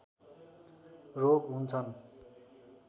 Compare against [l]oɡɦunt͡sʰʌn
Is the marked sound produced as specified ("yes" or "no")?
no